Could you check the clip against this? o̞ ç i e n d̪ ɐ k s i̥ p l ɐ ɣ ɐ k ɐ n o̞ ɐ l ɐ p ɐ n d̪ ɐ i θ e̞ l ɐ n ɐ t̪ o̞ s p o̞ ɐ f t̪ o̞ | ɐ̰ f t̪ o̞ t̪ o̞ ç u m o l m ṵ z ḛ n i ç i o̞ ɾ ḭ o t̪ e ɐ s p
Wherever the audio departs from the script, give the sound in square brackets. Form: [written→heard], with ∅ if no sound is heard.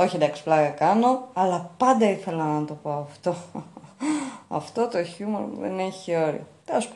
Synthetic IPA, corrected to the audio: o̞ ç i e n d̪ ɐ k s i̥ p l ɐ ɣ ɐ k ɐ n o̞ ɐ l ɐ p ɐ n d̪ ɐ i θ e̞ l ɐ n ɐ t̪ o̞ [s→∅] p o̞ ɐ f t̪ o̞ | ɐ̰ f t̪ o̞ t̪ o̞ ç u m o [l→ɾ] m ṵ [z→ð] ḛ n [i→e] ç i o̞ ɾ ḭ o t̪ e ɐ s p